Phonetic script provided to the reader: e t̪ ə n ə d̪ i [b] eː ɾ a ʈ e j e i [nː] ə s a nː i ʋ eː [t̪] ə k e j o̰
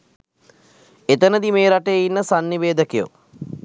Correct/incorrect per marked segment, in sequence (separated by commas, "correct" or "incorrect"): incorrect, correct, incorrect